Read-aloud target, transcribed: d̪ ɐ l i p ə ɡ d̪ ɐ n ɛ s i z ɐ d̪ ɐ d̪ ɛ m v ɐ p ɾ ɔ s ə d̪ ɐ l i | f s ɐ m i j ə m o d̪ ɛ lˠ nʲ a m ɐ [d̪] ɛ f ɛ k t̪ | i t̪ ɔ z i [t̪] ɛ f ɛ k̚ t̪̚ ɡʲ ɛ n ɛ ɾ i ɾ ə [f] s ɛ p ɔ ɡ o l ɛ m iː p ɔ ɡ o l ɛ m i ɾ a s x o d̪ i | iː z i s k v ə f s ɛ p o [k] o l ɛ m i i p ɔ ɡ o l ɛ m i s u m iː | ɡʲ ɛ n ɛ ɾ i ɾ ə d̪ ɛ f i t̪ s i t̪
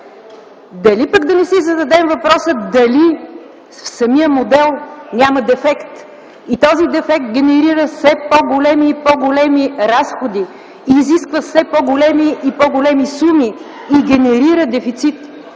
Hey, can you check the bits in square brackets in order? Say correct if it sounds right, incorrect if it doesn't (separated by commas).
correct, incorrect, correct, incorrect